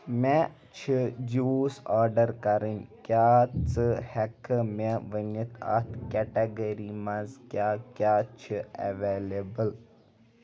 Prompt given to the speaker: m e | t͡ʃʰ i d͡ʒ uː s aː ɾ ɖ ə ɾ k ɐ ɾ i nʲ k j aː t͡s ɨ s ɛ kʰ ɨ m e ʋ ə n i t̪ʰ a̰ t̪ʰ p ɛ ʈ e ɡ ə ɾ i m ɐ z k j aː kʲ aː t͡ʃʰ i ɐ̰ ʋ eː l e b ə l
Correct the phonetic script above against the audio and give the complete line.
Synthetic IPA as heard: m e | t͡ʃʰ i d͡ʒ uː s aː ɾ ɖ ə ɾ k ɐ ɾ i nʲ k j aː t͡s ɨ h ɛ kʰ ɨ m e ʋ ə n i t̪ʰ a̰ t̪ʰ k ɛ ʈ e ɡ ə ɾ i m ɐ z k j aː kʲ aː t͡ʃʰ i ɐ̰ ʋ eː l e b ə l